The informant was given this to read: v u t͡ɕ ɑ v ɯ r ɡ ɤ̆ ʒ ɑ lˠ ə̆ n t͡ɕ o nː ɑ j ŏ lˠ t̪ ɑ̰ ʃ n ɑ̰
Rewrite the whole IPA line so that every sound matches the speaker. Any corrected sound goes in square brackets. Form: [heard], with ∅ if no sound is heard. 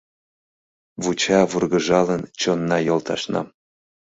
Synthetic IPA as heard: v u t͡ɕ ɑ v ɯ r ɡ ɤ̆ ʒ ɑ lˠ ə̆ n t͡ɕ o nː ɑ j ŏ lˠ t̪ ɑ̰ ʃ n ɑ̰